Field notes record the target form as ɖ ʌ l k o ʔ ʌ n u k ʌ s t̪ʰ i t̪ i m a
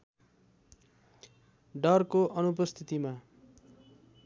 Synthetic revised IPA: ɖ ʌ r k o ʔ ʌ n u p ʌ s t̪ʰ i t̪ i m a